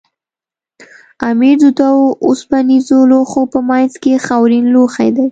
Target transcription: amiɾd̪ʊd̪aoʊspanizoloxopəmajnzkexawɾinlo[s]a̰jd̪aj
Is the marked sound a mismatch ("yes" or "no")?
yes